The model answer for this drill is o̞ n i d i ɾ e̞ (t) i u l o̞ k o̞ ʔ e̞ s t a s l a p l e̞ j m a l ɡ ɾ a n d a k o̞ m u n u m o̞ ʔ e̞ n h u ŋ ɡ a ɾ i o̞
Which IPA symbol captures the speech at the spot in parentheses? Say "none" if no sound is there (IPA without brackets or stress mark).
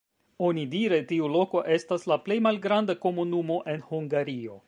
t